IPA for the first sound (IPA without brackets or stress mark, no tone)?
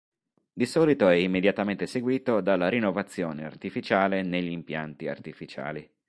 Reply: d̪